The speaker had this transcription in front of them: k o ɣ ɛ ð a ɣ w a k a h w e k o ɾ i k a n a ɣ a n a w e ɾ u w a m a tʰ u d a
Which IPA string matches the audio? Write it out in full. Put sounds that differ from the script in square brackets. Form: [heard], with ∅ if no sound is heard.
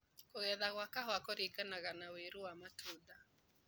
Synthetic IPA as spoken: k o ɣ ɛ ð a ɣ w a k a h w [a] k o ɾ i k a n a ɣ a n a w e ɾ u w a m a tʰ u d a